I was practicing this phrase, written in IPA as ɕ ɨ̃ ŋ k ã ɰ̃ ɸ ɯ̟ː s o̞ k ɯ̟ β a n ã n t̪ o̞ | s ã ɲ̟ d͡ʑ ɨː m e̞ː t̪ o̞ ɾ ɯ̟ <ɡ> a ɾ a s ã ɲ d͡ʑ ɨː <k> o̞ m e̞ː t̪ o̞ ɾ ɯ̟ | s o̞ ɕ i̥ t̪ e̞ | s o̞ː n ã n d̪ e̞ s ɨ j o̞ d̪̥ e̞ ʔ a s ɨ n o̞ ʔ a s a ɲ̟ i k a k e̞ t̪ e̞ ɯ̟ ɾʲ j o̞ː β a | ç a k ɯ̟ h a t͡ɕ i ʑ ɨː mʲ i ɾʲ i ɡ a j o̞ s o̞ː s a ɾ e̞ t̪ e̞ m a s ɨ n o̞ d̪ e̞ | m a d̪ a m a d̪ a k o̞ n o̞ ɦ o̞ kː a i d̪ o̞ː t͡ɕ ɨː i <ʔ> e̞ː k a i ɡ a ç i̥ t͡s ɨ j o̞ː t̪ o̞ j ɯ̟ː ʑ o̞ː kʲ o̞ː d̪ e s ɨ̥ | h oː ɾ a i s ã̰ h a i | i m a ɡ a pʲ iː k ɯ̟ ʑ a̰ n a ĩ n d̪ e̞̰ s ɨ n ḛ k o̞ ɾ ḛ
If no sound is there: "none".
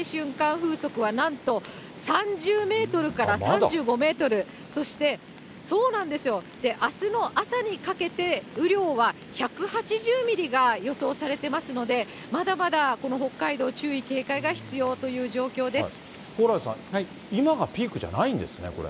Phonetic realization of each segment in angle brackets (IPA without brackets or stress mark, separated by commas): k, ɡ, k